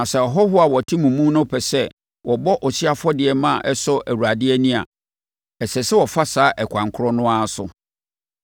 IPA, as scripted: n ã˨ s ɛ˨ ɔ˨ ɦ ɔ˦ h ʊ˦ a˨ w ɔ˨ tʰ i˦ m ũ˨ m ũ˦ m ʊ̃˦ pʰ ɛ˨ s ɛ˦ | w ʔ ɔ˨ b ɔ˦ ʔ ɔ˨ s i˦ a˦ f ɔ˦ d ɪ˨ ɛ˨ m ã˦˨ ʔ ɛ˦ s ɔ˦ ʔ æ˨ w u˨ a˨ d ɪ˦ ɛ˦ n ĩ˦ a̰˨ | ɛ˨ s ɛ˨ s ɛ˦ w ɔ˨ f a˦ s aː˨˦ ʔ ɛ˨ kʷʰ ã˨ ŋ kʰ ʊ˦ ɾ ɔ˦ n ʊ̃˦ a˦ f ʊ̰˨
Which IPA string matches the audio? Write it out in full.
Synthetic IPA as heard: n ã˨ s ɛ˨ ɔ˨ ɦ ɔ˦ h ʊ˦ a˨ w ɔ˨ tʰ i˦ m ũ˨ m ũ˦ n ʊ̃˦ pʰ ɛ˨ s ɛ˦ | w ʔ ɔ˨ b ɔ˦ ʔ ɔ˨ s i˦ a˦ f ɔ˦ d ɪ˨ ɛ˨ m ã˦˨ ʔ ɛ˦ s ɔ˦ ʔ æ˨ w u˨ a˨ d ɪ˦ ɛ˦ n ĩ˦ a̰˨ | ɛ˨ s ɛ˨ s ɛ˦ w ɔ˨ f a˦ s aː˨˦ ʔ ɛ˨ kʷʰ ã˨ ŋ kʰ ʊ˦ ɾ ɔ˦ n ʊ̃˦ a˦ s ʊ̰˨